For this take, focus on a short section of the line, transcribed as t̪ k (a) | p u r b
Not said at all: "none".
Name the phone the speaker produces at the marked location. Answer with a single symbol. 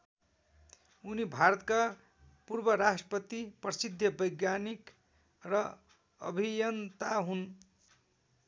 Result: a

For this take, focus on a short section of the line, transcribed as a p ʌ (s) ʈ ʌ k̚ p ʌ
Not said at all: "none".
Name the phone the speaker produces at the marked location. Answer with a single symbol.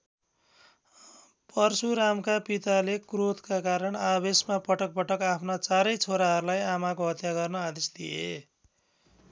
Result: none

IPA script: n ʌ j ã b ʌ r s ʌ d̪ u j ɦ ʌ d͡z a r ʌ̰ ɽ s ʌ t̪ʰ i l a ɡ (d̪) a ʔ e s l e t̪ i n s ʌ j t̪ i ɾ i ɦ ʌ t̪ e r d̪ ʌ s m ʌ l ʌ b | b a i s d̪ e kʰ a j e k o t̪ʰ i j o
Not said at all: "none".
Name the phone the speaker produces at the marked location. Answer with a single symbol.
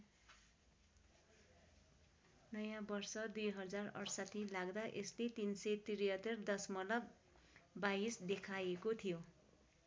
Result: d̪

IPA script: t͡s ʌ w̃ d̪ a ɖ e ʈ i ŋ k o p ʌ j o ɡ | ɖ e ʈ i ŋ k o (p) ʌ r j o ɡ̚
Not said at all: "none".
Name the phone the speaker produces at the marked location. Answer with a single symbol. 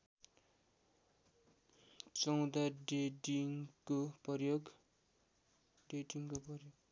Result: p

